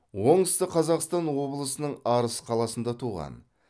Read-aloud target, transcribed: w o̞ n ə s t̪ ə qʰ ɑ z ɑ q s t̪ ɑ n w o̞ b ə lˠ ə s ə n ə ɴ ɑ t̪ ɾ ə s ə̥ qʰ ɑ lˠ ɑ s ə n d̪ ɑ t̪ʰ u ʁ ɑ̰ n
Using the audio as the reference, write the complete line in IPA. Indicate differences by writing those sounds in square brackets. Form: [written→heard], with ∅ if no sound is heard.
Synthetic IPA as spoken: w o̞ [n→ɴ] ə s t̪ ə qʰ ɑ z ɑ q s t̪ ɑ n w o̞ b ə lˠ ə s ə n ə ɴ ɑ [t̪→∅] ɾ ə s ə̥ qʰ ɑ lˠ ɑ s ə n d̪ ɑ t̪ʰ u ʁ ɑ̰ n